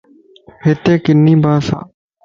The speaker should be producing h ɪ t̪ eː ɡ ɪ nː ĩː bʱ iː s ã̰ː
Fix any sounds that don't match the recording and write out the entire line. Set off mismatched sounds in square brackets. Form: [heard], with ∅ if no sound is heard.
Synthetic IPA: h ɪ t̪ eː [k] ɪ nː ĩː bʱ [aː] s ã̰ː